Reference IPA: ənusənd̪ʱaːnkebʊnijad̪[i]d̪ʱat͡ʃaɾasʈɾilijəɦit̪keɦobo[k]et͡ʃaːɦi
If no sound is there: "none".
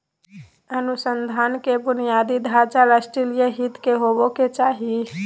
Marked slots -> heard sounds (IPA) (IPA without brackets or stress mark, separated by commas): i, k